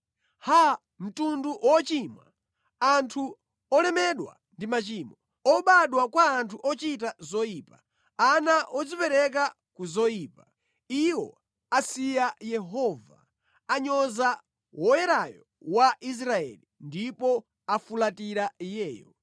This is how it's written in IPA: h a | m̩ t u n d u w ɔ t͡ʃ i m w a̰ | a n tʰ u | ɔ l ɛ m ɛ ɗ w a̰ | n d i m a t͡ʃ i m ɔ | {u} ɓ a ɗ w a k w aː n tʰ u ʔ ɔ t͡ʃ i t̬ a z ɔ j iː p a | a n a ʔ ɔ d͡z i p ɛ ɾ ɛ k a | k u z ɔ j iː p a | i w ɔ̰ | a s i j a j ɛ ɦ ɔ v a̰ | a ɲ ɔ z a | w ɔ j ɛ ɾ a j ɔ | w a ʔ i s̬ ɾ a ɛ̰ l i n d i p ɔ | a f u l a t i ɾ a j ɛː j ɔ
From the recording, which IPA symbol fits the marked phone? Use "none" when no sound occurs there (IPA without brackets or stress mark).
ɔ